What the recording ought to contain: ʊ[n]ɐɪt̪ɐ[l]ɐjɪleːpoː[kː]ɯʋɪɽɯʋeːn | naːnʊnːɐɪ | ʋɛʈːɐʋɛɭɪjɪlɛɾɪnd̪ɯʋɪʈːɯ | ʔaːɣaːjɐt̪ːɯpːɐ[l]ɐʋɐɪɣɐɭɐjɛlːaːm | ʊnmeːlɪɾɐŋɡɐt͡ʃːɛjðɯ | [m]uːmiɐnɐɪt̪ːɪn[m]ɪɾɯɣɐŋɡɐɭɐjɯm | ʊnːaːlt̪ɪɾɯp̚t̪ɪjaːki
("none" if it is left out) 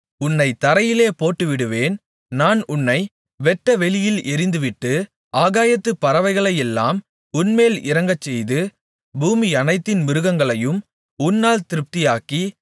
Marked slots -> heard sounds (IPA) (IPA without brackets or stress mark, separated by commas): nː, ɾ, ʈː, ɾ, b, m